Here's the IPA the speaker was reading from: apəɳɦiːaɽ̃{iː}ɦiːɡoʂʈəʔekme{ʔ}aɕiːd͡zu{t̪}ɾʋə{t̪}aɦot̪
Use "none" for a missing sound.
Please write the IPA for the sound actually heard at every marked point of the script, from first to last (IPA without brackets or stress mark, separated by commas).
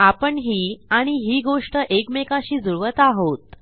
i, k, none, t̪